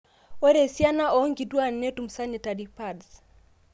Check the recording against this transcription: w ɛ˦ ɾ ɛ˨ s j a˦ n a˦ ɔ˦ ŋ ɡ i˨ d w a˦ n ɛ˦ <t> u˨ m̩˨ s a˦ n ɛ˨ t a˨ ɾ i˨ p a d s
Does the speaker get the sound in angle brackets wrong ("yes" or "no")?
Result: no